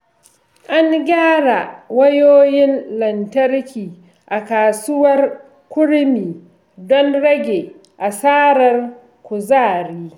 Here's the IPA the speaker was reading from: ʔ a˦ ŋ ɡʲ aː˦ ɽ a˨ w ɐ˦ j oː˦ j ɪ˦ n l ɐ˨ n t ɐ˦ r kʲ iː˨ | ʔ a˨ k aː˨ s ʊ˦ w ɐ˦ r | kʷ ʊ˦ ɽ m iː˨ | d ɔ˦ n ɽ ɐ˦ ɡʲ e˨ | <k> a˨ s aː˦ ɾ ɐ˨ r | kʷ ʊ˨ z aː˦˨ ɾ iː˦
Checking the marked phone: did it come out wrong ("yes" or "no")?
yes